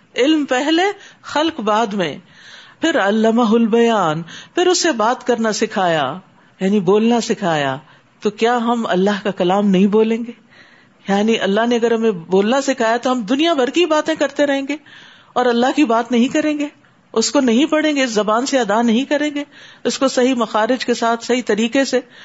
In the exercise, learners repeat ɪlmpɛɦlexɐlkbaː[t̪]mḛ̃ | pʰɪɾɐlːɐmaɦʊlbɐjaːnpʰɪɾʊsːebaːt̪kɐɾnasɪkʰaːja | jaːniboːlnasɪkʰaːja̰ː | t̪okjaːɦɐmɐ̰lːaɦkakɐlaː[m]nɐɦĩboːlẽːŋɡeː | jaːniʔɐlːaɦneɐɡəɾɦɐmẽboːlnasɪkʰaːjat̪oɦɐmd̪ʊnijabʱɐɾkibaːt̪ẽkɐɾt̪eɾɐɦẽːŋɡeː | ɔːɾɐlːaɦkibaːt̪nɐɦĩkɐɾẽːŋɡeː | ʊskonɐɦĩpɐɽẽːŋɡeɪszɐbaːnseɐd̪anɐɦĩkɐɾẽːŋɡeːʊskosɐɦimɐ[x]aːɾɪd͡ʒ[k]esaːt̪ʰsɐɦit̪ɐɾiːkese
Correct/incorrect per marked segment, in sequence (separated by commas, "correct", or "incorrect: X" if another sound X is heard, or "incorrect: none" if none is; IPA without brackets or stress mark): incorrect: d̪, correct, correct, correct